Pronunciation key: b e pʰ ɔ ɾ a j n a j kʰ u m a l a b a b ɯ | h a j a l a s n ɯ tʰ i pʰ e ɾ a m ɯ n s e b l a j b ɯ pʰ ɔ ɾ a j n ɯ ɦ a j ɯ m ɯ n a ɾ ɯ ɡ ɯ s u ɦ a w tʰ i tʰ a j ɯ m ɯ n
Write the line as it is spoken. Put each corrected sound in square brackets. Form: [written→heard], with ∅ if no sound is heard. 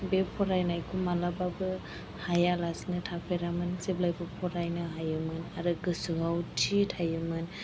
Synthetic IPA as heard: b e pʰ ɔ ɾ a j n a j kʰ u m a l a b a b ɯ | h a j a l a s n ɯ tʰ [i→a] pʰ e ɾ a m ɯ n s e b l a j b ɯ pʰ ɔ ɾ a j n ɯ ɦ a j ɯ m ɯ n a ɾ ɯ ɡ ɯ s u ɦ a w tʰ i tʰ a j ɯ m ɯ n